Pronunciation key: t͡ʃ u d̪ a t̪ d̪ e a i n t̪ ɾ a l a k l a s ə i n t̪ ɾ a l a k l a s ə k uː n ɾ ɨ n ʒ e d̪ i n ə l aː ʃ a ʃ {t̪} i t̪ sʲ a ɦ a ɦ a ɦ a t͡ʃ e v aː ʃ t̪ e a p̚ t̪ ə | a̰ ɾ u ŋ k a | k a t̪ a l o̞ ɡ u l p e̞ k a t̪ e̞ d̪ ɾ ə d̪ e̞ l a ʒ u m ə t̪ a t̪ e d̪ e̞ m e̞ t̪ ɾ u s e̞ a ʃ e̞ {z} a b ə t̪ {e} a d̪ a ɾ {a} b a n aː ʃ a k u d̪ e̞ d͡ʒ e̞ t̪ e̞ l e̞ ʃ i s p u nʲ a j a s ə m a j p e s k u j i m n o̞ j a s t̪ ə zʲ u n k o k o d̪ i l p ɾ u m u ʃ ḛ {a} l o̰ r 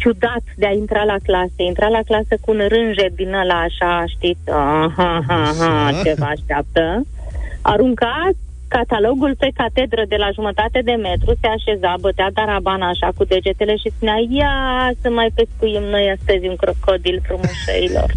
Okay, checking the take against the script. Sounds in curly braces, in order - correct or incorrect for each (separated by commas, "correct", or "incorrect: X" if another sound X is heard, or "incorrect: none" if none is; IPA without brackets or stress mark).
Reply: correct, correct, correct, correct, incorrect: i